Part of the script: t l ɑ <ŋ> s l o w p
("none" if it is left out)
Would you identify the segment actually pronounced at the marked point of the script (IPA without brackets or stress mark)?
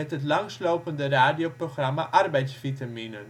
ŋ